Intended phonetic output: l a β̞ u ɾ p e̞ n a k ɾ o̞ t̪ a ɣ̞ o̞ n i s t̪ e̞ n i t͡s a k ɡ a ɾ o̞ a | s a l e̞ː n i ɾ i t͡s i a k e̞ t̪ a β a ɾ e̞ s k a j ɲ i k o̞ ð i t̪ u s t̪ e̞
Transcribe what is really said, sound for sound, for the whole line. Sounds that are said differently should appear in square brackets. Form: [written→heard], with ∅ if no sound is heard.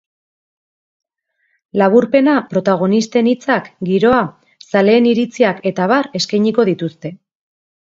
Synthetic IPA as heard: l a β̞ u ɾ p e̞ n a [k→p] ɾ o̞ t̪ a ɣ̞ o̞ n i s t̪ e̞ n i t͡s a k ɡ [a→i] ɾ o̞ a | s a l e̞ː n i ɾ i t͡s i a k e̞ t̪ a β a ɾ e̞ s k a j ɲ i k o̞ ð i t̪ u s t̪ e̞